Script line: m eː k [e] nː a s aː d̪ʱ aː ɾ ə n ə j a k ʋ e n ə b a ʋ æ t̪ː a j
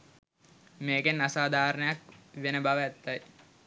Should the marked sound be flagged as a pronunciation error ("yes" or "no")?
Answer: no